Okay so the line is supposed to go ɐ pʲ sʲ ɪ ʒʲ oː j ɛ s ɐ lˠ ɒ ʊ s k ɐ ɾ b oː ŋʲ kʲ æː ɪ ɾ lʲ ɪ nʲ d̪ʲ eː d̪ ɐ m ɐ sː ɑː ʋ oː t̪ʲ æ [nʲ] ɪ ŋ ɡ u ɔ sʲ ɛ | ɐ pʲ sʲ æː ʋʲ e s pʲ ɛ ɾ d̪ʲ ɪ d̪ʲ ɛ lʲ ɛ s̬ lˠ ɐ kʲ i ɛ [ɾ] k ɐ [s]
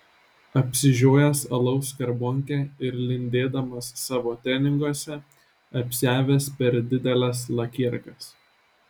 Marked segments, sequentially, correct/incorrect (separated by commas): correct, correct, correct